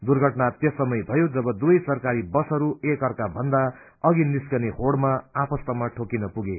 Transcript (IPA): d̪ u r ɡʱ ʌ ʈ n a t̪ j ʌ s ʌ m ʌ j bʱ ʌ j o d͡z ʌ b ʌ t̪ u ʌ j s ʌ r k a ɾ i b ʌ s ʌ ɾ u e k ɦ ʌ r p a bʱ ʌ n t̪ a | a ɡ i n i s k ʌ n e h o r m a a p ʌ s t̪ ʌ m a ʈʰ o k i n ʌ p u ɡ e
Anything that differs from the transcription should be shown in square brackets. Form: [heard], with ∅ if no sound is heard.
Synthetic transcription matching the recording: d̪ u r ɡʱ ʌ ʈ n a t̪ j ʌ s ʌ m ʌ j bʱ ʌ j o d͡z ʌ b ʌ [d̪] u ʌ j s ʌ r k a ɾ i b ʌ s ʌ ɾ u e k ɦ ʌ r [k] a bʱ ʌ n [d̪] a | [ʌ] ɡ i n i s k ʌ n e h o [ɽ] m a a p ʌ s t̪ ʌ m a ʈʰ o k i n ʌ p u ɡ e